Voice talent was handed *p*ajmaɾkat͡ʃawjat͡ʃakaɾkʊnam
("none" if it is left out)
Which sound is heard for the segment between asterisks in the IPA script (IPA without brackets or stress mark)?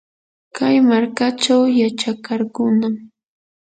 k